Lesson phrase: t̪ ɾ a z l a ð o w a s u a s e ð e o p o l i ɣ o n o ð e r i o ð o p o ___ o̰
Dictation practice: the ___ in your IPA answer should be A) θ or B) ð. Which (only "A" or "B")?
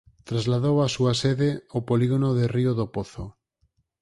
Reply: A